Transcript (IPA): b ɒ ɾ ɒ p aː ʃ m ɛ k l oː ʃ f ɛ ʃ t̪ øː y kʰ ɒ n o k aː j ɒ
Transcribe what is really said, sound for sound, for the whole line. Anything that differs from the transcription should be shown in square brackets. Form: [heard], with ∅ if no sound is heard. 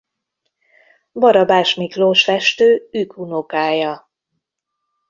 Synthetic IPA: b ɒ ɾ ɒ [b] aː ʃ m [i] k l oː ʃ f ɛ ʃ t̪ øː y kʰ [u] n o k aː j ɒ